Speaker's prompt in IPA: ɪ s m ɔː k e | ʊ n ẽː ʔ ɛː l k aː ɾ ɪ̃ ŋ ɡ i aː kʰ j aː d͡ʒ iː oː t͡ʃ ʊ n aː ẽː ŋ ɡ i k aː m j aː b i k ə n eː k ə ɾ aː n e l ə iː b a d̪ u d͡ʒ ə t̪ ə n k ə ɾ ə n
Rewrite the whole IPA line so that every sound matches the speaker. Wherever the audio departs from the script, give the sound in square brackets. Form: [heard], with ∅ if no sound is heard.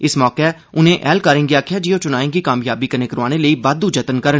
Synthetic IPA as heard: ɪ s m ɔː k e | ʊ n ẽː ʔ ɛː l k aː ɾ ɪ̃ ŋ ɡ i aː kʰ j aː d͡ʒ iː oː t͡ʃ ʊ n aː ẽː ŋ ɡ i k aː m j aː b i k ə n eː k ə ɾ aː n e l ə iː b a d̪ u d͡ʒ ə t̪ ə n k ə ɾ ə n

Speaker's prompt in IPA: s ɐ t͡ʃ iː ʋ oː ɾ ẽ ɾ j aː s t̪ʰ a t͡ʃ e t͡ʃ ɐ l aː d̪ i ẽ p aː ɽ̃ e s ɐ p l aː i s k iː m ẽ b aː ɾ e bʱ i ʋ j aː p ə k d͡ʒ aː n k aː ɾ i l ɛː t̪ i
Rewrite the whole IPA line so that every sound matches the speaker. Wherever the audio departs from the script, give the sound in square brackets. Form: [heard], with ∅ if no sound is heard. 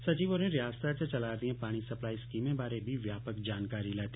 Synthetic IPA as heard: s ɐ t͡ʃ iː ʋ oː ɾ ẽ ɾ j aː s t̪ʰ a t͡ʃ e t͡ʃ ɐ l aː d̪ i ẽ p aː ɽ̃ [i] s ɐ p l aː i s k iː m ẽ b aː ɾ e bʱ i ʋ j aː p ə k d͡ʒ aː n k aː ɾ i l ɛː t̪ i

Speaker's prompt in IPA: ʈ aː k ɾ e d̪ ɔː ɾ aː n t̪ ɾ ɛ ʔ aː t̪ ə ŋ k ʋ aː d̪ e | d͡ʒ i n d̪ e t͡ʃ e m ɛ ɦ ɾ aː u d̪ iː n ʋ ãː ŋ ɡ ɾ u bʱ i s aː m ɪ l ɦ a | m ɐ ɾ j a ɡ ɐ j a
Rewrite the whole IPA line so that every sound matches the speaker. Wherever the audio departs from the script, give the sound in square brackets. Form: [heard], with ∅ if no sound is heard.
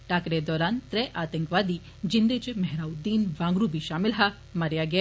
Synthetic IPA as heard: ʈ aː k ɾ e d̪ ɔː ɾ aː n t̪ ɾ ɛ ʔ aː t̪ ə ŋ k ʋ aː d̪ [i] | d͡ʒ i n d̪ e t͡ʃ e m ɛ ɦ ɾ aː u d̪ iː n ʋ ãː ŋ ɡ ɾ u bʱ i [ʃ] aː m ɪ l ɦ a | m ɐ ɾ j a ɡ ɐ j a

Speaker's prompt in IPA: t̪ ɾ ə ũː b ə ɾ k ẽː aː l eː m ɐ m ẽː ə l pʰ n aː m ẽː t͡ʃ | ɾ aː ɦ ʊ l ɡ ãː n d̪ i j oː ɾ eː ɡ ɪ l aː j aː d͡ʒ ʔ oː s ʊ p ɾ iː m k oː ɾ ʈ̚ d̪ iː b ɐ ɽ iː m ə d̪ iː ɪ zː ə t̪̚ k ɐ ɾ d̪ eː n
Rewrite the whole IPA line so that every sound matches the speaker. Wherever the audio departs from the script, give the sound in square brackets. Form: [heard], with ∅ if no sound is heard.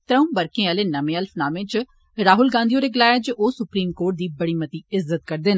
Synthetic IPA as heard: t̪ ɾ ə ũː b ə ɾ k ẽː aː l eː [n] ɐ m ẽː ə l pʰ n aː m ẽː t͡ʃ | ɾ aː ɦ ʊ l ɡ ãː n d̪ i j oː ɾ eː ɡ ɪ l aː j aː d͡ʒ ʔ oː s ʊ p ɾ iː m k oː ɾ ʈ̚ d̪ iː b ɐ ɽ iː m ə [t̪] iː ɪ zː ə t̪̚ k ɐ ɾ d̪ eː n

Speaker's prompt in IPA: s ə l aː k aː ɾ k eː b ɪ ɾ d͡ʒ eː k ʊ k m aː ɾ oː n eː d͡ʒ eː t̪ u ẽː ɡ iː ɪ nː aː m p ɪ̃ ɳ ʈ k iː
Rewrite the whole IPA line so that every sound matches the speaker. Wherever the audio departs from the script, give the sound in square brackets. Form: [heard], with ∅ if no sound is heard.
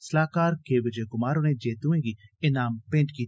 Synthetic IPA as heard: s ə l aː k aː ɾ k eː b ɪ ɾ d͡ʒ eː k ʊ [∅] m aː ɾ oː n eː d͡ʒ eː t̪ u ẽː ɡ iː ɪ [n] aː m p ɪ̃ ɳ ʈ k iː

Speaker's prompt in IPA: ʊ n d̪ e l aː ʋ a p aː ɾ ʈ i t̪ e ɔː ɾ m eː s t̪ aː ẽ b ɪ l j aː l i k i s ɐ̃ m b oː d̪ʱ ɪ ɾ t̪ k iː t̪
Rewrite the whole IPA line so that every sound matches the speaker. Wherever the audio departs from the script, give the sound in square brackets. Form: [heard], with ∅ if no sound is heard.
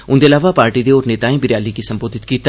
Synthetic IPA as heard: ʊ n d̪ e l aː ʋ a p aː ɾ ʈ i [d̪] e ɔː ɾ [n] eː [∅] t̪ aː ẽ b ɪ [ɾ] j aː l i k i s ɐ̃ m b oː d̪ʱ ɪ [∅] t̪ k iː t̪

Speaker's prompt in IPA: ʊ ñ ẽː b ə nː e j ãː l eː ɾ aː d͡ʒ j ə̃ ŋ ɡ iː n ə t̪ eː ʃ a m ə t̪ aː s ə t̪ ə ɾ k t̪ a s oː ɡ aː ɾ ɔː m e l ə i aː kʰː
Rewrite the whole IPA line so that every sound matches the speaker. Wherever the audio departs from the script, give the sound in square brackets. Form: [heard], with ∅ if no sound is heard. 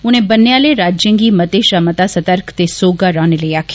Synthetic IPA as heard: ʊ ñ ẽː b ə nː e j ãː l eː ɾ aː d͡ʒ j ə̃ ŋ ɡ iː [m] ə t̪ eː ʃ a m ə t̪ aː s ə t̪ ə ɾ k t̪ [e] s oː ɡ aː ɾ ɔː [n] e l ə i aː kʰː

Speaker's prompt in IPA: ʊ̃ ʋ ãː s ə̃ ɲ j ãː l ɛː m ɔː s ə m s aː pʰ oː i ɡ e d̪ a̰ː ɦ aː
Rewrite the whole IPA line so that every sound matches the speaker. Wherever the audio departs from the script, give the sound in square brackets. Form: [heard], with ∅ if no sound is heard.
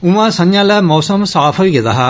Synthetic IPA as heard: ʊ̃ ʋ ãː s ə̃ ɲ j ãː l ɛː m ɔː s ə m s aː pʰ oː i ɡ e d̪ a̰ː ɦ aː

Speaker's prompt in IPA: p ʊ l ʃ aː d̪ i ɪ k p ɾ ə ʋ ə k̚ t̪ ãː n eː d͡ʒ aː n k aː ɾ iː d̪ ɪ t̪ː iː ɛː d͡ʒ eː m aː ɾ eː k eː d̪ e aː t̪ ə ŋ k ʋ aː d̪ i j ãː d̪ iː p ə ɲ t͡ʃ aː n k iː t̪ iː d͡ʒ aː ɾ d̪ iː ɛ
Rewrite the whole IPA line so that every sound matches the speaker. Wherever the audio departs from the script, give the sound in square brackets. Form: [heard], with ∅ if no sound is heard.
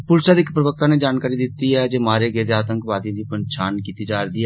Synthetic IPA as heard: p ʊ l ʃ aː d̪ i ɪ k p ɾ ə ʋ ə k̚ t̪ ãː n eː d͡ʒ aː n k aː ɾ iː d̪ ɪ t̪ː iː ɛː d͡ʒ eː m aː ɾ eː [ɡ] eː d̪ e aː t̪ ə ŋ k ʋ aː d̪ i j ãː d̪ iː p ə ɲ t͡ʃ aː n k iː t̪ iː d͡ʒ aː ɾ d̪ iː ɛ

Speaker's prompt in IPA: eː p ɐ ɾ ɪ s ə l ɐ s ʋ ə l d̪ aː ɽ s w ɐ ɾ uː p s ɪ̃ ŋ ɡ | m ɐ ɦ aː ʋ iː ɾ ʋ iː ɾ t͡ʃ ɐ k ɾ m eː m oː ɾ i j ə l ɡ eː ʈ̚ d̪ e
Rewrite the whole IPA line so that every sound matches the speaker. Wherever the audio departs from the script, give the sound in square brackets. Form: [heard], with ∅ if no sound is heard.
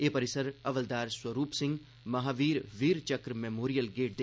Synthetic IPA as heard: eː p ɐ ɾ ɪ s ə [ɾ] ɐ [∅] ʋ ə l d̪ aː [ɾ] s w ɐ ɾ uː p s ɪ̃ ŋ ɡ | m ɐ ɦ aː ʋ iː ɾ ʋ iː ɾ t͡ʃ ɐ k ɾ m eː m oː ɾ i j ə l ɡ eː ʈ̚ d̪ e

